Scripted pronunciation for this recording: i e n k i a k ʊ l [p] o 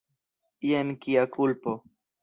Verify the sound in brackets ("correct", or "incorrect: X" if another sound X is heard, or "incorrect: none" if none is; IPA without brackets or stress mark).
correct